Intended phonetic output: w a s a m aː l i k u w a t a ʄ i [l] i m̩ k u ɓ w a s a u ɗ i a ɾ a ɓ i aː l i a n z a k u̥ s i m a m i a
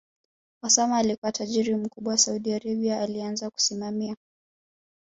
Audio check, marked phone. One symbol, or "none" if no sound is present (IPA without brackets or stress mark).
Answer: ɾ